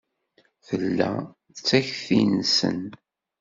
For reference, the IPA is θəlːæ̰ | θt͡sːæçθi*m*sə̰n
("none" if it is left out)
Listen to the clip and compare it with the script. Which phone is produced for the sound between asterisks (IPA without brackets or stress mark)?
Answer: n